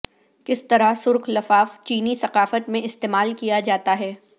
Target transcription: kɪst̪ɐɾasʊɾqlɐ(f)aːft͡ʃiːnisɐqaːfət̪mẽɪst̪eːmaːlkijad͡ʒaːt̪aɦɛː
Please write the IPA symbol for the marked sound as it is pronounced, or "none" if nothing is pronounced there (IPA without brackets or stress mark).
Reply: f